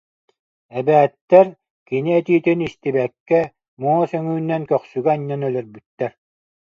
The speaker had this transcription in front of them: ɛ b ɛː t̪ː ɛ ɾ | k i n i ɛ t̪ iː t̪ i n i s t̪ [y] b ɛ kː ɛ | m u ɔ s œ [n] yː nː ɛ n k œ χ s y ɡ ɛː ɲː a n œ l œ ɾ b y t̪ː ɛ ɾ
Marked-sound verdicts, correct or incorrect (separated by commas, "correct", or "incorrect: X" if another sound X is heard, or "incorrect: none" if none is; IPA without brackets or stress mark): incorrect: i, incorrect: ŋ